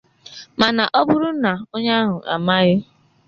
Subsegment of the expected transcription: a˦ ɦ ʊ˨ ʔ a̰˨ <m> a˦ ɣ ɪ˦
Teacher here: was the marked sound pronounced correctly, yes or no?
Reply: yes